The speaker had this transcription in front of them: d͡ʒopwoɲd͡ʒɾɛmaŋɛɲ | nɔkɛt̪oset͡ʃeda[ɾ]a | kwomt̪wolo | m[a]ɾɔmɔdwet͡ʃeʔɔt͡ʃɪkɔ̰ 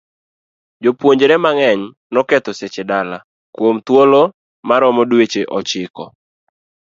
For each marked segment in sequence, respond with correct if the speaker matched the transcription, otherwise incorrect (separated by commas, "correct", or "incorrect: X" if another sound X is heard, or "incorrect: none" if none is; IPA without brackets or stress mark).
incorrect: l, correct